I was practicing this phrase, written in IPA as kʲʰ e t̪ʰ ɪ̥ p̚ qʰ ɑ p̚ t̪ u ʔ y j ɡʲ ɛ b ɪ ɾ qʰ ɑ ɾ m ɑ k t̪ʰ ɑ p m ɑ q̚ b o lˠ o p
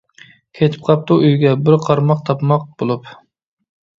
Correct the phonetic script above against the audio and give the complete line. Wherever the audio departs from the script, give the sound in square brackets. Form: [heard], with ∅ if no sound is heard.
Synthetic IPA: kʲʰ e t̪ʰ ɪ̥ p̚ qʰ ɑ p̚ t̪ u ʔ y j ɡʲ ɛ b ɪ ɾ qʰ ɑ ɾ m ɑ [q] t̪ʰ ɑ p m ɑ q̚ b o lˠ [u] p